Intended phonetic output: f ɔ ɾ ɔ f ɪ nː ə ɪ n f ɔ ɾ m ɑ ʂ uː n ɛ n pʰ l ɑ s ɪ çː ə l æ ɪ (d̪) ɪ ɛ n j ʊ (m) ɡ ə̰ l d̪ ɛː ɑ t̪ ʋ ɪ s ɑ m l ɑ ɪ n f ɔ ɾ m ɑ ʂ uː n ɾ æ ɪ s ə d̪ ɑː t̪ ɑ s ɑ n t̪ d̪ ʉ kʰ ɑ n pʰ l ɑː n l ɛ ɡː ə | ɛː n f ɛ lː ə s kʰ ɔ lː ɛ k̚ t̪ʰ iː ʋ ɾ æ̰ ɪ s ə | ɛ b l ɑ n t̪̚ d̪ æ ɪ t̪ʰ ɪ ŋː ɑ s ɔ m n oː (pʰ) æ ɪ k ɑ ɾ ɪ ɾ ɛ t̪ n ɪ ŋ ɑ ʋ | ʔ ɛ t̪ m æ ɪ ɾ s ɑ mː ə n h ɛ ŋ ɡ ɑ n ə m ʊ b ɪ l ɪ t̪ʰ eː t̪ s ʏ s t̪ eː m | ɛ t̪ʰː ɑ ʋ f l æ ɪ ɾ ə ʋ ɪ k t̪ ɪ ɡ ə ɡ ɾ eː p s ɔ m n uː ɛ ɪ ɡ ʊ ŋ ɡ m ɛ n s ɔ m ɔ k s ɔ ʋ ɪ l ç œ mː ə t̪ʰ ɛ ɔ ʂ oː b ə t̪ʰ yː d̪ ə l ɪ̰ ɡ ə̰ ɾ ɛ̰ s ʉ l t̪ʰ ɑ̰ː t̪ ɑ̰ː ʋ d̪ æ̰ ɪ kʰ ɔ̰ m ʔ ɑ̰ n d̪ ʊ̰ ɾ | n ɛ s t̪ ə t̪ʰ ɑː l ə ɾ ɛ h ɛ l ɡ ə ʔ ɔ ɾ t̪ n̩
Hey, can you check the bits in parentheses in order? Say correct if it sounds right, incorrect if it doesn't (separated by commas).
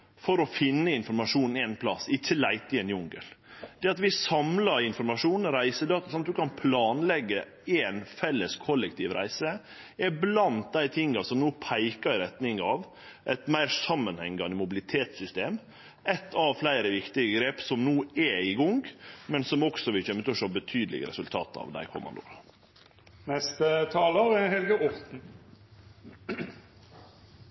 incorrect, incorrect, correct